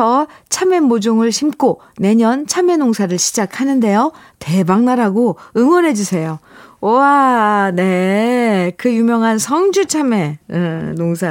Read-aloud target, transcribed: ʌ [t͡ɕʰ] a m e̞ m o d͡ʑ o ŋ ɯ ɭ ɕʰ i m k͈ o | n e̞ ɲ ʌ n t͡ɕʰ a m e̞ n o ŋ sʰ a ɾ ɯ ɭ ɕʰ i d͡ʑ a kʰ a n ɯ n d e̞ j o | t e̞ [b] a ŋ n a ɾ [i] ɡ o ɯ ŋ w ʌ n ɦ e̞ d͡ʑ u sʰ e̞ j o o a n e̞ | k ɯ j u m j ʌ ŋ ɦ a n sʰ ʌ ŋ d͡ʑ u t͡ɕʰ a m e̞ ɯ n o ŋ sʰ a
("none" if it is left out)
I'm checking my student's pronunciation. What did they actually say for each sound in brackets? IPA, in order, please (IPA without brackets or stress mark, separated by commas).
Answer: t͡ɕʰ, b, a